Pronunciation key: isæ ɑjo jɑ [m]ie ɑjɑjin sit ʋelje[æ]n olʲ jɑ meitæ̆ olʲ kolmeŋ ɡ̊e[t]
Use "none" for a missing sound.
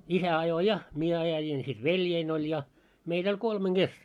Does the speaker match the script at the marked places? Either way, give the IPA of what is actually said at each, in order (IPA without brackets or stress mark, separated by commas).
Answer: m, i, s